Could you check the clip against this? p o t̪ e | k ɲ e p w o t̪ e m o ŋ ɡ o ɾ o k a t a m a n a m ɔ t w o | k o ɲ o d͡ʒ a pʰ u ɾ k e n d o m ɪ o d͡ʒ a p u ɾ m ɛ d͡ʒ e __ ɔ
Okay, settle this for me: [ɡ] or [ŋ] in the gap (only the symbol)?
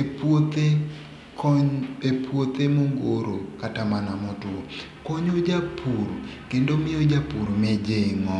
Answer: ŋ